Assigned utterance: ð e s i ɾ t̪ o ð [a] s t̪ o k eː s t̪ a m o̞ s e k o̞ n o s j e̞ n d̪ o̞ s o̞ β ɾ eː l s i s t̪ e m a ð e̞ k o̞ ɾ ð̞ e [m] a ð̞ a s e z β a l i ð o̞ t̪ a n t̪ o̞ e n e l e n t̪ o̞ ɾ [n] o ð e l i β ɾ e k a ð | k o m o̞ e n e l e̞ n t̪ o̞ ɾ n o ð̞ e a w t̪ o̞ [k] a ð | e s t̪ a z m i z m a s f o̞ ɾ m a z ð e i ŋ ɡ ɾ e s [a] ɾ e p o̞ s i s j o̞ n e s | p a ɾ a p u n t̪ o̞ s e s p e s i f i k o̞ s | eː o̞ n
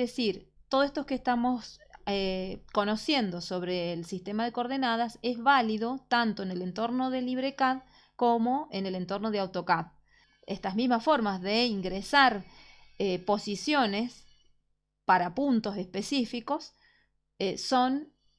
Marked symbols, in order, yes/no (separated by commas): no, no, yes, yes, yes